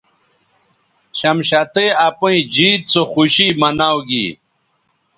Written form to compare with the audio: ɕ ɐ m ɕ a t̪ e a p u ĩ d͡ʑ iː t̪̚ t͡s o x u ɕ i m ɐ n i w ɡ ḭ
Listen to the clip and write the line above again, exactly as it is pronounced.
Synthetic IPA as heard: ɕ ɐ m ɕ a t̪ e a p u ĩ d͡ʑ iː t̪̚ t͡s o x u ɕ i m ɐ n a w ɡ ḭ

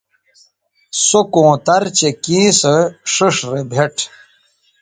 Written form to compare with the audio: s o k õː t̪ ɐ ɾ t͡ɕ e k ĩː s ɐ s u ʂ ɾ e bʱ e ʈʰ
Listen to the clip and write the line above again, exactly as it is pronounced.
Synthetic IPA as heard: s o k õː t̪ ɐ ɾ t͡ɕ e k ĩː s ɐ ʂ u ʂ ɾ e bʱ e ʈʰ

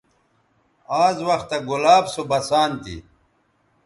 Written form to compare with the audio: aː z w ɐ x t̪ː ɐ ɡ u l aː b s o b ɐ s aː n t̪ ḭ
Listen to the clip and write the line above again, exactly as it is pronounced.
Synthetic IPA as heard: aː z w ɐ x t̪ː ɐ ɡ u l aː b s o b ɐ s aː n t̪ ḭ

